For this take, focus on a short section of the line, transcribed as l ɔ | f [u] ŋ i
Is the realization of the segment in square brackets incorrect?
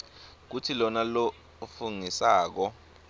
no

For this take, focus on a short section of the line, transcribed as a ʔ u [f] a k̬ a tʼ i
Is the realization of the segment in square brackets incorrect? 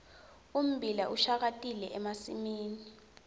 yes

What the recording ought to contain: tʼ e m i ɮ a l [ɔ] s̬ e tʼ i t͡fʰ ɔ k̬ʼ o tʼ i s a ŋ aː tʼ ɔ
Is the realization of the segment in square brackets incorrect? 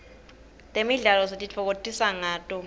no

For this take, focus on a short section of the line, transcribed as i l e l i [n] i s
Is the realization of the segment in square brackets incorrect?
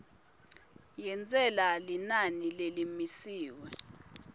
yes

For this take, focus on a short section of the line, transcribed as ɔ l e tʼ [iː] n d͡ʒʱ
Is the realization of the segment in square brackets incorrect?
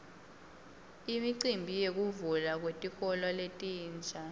no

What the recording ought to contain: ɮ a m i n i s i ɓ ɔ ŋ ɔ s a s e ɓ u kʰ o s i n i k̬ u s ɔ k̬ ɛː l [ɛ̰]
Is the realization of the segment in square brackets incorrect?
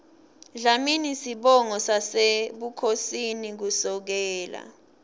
yes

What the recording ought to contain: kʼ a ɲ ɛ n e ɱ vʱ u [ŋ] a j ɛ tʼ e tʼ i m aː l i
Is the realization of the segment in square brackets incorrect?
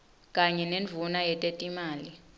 yes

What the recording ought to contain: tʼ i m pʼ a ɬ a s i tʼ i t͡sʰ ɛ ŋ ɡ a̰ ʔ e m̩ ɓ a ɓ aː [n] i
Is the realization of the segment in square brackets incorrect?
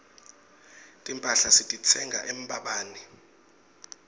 no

